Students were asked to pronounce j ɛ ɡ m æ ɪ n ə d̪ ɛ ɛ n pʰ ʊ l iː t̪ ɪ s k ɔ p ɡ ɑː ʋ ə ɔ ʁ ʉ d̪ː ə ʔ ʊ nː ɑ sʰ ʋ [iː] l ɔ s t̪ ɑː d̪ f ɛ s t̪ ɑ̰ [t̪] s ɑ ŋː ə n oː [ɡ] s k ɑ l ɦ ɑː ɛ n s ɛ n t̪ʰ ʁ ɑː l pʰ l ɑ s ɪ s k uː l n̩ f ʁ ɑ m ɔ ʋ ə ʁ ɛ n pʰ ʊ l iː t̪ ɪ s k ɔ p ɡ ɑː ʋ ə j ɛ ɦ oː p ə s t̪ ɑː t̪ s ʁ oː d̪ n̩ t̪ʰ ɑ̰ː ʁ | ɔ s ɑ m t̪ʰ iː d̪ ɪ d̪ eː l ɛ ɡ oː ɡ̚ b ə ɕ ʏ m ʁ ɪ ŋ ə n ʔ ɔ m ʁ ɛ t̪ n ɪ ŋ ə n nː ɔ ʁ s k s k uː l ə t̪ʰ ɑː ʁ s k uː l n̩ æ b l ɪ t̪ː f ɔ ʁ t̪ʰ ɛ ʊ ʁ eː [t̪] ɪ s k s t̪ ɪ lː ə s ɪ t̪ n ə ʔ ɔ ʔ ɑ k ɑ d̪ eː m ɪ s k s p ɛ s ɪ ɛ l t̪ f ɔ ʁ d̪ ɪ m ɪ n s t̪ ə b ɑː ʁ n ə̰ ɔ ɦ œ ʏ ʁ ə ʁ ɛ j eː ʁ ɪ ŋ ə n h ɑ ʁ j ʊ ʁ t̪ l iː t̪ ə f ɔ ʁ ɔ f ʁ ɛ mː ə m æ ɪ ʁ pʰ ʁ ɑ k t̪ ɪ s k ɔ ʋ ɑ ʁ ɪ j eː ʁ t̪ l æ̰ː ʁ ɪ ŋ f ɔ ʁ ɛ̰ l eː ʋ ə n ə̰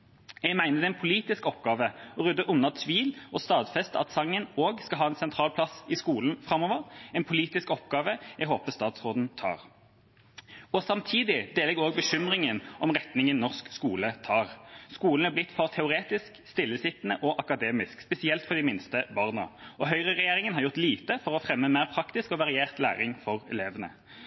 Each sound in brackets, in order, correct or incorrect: correct, correct, correct, correct

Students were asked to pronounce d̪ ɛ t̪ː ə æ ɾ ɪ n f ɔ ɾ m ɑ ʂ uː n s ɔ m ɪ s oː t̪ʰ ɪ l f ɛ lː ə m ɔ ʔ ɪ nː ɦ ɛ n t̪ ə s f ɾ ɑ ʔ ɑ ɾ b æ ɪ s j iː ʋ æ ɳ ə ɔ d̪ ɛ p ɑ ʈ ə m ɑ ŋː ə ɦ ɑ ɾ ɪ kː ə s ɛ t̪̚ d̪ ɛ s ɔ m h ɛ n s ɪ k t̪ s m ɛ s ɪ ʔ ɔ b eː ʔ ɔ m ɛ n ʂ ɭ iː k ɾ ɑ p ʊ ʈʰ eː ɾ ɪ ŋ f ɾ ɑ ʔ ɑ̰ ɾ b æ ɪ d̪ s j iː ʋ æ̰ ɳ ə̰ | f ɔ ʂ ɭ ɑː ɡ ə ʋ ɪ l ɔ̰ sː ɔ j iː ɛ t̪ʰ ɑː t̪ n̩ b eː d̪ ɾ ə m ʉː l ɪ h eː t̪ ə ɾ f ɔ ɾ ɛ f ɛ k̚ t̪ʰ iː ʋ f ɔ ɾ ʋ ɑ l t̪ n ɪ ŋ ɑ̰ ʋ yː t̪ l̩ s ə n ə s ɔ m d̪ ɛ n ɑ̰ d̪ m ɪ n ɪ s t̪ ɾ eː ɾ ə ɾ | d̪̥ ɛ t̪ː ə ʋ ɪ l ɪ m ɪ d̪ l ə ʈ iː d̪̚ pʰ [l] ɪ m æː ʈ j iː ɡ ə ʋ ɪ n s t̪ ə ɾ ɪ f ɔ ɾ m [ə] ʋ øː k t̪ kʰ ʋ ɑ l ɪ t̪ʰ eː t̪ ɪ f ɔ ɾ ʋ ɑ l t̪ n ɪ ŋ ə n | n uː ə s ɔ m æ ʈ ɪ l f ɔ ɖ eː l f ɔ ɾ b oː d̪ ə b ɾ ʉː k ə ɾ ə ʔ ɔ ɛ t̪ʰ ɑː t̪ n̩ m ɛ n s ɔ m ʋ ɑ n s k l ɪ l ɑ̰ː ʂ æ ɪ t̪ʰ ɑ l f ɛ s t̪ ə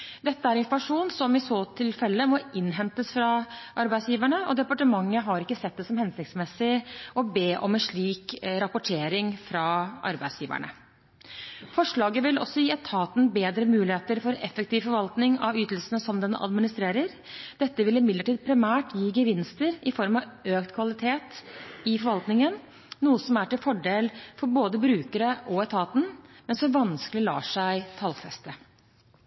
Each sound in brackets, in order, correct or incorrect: incorrect: ɾ, incorrect: ɑ

